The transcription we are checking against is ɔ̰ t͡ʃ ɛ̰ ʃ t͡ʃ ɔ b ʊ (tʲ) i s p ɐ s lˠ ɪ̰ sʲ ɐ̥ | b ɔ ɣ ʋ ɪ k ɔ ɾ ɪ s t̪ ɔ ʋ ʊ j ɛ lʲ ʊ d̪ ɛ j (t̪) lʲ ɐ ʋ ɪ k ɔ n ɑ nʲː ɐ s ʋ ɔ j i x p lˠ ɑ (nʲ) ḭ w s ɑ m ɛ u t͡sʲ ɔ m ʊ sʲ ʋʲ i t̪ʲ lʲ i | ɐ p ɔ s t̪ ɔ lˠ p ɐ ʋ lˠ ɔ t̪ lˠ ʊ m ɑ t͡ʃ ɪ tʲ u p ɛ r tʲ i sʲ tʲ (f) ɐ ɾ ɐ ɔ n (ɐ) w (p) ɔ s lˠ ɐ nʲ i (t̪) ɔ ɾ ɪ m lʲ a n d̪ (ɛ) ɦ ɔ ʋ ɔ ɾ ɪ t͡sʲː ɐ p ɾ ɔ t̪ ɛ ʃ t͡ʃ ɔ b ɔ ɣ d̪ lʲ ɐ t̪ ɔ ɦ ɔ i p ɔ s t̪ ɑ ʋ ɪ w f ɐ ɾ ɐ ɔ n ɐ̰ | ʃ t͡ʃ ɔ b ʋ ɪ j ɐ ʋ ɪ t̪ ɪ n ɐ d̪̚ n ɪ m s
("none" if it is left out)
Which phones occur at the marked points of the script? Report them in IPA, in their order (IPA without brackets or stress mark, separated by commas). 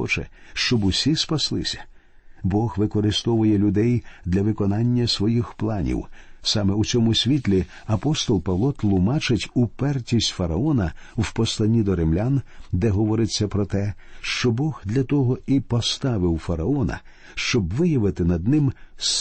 sʲ, d̪, nʲ, f, ɐ, p, d̪, ɛ